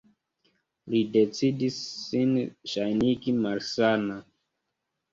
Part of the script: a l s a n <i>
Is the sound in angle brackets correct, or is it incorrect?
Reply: incorrect